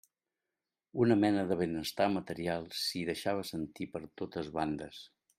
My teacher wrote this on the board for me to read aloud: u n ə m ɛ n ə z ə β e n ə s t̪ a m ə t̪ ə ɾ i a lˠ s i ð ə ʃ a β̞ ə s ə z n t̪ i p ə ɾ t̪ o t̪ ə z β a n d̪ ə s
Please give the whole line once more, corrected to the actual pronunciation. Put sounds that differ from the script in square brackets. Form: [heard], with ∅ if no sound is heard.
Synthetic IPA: u n ə m ɛ n ə [ð] ə β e n ə s t̪ a m ə t̪ ə ɾ i a lˠ s i ð ə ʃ a β̞ ə s ə [∅] n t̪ i p ə ɾ t̪ o t̪ ə z β a n d̪ ə s